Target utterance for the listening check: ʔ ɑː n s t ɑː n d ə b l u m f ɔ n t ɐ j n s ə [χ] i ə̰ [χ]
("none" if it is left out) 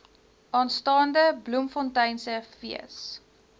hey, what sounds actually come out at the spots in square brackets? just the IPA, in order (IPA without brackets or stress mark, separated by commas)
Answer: f, s